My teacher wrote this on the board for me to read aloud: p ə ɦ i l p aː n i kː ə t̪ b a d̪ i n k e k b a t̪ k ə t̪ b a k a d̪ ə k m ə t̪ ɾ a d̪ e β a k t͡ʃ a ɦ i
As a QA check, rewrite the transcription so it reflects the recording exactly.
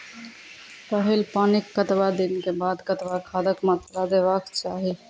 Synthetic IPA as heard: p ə ɦ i l p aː n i kː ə t̪ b a d̪ i n k e b a d̪ k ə t̪ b a kʰ a d̪ ə k m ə t̪ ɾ a d̪ e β a k t͡ʃ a ɦ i